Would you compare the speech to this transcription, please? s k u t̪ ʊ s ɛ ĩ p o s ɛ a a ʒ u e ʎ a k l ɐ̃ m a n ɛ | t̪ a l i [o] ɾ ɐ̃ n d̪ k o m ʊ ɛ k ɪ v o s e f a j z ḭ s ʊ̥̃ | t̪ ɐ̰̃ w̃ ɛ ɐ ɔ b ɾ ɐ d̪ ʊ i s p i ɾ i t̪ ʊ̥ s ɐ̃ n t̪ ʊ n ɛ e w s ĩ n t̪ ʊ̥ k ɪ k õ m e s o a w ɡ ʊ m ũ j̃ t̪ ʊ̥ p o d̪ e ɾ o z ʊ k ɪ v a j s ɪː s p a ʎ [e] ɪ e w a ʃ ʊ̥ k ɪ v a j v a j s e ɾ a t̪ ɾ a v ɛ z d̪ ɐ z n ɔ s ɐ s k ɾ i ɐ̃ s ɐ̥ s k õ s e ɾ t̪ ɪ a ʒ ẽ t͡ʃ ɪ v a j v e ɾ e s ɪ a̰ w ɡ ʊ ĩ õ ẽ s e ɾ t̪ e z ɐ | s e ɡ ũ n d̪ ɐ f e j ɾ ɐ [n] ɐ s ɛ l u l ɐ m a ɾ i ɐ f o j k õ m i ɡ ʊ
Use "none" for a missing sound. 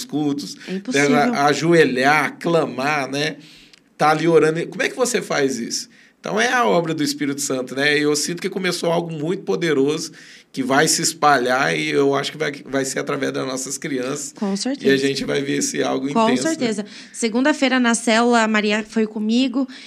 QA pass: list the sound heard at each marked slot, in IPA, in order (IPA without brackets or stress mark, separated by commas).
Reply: o, a, n